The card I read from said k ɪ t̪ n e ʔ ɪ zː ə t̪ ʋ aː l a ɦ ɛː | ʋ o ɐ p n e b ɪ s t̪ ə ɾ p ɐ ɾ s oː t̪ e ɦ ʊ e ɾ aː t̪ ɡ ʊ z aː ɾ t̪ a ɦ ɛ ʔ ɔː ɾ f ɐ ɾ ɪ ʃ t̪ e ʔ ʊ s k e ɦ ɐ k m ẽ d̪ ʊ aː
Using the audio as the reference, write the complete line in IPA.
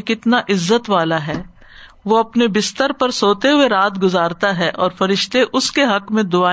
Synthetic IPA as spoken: k ɪ t̪ n a ʔ ɪ zː ə t̪ ʋ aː l a ɦ ɛː | ʋ o ɐ p n e b ɪ s t̪ ə ɾ p ɐ ɾ s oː t̪ e ɦ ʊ e ɾ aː t̪ ɡ ʊ z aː ɾ t̪ a ɦ ɛ ʔ ɔː ɾ f ɐ ɾ ɪ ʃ t̪ e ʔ ʊ s k e ɦ ɐ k m ẽ d̪ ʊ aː